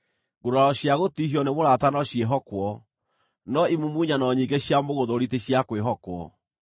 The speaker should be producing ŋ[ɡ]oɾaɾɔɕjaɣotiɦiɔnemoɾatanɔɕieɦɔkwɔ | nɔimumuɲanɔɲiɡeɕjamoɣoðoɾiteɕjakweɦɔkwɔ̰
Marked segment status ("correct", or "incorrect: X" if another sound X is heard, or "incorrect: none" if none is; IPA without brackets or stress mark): correct